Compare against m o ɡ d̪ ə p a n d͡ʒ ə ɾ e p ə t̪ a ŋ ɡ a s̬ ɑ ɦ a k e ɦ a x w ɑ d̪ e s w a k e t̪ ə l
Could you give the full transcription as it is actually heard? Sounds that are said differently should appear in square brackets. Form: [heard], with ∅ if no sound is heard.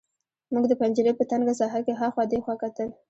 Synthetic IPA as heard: m [u] ɡ d̪ ə p a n d͡ʒ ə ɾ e p ə t̪ a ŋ ɡ a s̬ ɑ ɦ a k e ɦ a x w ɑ d̪ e [x] w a k [a] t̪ ə l

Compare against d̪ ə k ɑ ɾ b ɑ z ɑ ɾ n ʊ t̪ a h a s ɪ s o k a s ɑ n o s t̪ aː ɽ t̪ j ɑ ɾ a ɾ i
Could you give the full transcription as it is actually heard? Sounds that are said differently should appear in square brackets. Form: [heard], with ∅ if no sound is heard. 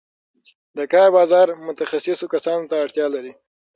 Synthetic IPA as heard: d̪ ə k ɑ ɾ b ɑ z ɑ ɾ [m] ʊ t̪ a [x] a s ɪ s o k a s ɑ n o [∅] t̪ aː ɽ t̪ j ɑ [l] a ɾ i

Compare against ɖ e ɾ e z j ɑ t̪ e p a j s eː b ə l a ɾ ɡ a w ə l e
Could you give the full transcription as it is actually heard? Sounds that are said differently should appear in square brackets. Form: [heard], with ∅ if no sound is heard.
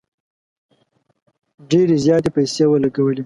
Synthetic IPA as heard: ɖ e ɾ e z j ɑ t̪ e p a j s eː [w] ə l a [∅] ɡ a w ə l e

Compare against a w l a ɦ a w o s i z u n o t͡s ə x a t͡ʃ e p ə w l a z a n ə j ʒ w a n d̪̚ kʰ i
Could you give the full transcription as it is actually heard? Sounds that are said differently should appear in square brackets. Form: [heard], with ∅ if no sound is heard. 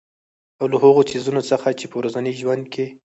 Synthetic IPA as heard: a w l a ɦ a [ɣ] o s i z u n o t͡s ə x a t͡ʃ e p ə w [ɾ] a z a n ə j ʒ w a n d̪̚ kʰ [e]

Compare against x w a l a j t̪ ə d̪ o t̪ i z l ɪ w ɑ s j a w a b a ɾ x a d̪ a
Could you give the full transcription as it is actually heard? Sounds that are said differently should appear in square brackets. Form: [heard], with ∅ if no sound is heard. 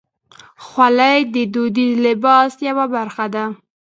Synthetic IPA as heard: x w a l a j [d̪] ə d̪ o [d̪] i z l ɪ [b] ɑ s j a w a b a ɾ x a d̪ a

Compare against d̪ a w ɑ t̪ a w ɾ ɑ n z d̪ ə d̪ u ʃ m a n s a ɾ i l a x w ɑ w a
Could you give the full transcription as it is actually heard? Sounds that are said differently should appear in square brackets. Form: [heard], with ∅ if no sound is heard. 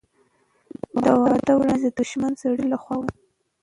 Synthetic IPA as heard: d̪ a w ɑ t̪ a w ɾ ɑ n z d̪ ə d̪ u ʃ m a n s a [ɽ] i l a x w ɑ w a

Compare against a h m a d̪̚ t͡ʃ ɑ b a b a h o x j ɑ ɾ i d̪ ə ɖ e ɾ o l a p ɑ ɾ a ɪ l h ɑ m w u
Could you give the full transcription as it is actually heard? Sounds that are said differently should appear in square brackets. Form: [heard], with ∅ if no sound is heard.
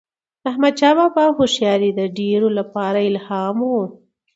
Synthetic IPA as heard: a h m a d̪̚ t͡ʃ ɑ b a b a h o [ʃ] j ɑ ɾ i d̪ ə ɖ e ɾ o l a p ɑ ɾ a ɪ l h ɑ m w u

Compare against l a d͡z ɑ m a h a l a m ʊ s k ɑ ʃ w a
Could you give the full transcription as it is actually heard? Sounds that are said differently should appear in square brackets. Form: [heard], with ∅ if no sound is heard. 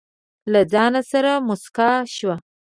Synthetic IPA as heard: l a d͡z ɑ [n] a [s] a [ɾ] a m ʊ s k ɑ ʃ w a

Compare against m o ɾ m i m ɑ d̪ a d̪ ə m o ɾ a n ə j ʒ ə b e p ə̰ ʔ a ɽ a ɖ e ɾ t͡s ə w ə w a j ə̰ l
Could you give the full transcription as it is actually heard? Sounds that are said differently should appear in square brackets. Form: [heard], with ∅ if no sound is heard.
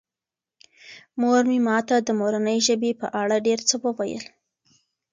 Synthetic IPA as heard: m o ɾ m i m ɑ [t̪] a d̪ ə m o ɾ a n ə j ʒ ə b e p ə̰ ʔ a ɽ a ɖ e ɾ t͡s ə w ə w a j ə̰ l

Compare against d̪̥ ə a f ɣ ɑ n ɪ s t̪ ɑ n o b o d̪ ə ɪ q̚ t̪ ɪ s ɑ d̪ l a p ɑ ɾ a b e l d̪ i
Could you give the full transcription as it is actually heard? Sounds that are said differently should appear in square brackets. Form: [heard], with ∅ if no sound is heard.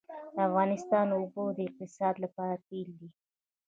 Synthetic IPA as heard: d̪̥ ə a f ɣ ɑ n ɪ s t̪ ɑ n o b o d̪ ə ɪ q̚ t̪ ɪ s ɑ d̪ l a p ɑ ɾ a [p] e l d̪ i

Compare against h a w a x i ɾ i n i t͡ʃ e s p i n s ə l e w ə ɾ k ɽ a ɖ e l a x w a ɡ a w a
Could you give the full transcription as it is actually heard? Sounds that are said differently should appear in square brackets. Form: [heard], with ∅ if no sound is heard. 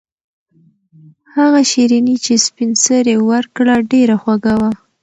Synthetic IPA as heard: h a [ɣ] a [ʃ] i ɾ i n i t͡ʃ e s p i n s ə [ɾ] e w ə ɾ k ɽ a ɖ e [ɾ] a x w a ɡ a w a

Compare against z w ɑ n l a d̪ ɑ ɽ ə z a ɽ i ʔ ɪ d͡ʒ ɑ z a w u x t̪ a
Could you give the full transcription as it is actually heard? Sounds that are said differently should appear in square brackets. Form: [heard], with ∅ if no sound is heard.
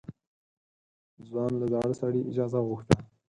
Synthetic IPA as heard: z w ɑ n l a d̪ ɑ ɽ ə [s] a ɽ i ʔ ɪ d͡ʒ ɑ z a [ɣ] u x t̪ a

